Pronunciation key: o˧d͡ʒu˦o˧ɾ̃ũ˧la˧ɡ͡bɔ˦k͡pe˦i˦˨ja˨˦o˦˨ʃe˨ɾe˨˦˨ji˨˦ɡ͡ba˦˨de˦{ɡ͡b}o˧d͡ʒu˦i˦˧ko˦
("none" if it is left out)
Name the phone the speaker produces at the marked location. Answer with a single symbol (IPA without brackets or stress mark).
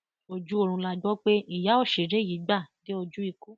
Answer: none